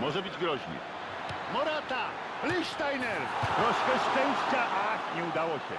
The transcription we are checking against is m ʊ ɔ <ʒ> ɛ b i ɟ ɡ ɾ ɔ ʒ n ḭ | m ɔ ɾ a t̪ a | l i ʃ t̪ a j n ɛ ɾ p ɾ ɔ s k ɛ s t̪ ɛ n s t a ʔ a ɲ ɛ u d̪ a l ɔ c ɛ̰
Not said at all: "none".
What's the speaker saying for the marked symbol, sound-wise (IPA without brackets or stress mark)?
ʒ